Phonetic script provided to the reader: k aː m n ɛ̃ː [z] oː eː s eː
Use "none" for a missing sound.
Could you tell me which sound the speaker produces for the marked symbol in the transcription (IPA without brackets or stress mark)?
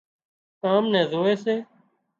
z